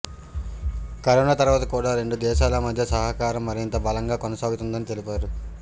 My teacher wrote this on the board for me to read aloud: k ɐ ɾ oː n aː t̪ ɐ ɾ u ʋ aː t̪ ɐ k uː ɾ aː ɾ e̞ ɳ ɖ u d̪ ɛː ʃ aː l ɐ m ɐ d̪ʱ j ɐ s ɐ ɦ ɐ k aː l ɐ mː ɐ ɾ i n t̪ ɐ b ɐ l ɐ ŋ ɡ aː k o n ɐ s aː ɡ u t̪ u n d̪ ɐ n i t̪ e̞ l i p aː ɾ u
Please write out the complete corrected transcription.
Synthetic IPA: k ɐ ɾ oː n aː t̪ ɐ ɾ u ʋ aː t̪ ɐ k uː ɽ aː ɾ e̞ ɳ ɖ u d̪ ɛː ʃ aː l ɐ m ɐ d̪ʱ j ɐ s ɐ ɦ ɐ k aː ɾ ɐ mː ɐ ɾ i n t̪ ɐ b ɐ l ɐ ŋ ɡ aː k o n ɐ s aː ɡ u t̪ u n d̪ ɐ n i t̪ e̞ l i p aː ɾ u